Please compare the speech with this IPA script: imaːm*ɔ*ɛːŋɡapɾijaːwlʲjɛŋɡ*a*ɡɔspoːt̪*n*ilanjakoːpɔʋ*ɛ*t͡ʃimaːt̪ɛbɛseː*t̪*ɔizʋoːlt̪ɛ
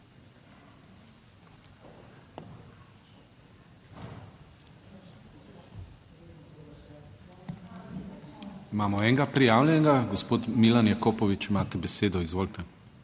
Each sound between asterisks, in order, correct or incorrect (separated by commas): correct, correct, incorrect, incorrect, incorrect